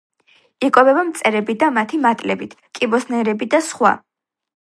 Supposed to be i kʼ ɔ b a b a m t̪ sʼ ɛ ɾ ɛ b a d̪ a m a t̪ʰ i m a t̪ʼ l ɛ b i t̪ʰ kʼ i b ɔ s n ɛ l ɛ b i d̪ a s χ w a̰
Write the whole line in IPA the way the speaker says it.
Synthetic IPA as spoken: i kʼ ɔ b ɛ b a m t̪ sʼ ɛ ɾ ɛ b i d̪ a m a t̪ʰ i m a t̪ʼ l ɛ b i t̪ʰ kʼ i b ɔ s n ɛ ɾ ɛ b i d̪ a s χ w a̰